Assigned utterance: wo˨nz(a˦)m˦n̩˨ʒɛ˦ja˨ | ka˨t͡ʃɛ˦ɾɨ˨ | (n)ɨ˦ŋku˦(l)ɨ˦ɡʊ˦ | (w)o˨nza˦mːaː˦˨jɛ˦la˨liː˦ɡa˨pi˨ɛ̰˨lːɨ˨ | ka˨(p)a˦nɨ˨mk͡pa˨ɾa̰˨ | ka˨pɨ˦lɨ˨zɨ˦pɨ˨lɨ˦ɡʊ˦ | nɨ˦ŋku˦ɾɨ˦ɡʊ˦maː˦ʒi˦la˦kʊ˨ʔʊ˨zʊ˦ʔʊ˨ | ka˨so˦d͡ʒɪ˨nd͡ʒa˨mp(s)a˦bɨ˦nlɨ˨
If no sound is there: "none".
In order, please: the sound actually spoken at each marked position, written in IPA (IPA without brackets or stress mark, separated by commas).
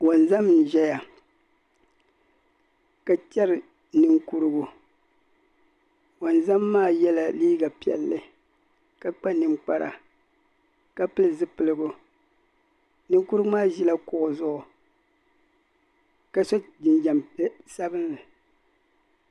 a˦, n, ɾ, w, k͡p, s